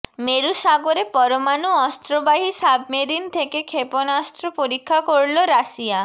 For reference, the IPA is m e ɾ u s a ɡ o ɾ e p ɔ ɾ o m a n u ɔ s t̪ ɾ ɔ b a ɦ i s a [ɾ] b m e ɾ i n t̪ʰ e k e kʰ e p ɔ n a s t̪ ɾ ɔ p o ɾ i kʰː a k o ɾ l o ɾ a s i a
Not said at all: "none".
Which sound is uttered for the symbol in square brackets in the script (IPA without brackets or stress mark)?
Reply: none